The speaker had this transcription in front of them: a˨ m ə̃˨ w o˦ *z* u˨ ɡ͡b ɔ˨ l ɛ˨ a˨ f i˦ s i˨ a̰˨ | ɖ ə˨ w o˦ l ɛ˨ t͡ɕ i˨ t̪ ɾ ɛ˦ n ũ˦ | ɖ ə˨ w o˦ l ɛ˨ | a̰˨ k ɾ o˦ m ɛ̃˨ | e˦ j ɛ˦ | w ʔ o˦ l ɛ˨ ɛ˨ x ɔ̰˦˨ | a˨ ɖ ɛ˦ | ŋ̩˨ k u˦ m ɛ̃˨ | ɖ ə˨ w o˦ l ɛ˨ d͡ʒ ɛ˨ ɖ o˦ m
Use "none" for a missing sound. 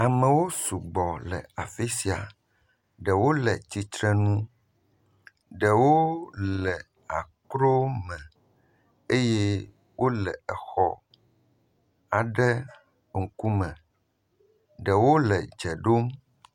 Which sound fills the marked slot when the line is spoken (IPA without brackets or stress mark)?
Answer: s